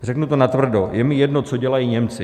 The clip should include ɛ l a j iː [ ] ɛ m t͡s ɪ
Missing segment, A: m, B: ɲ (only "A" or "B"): B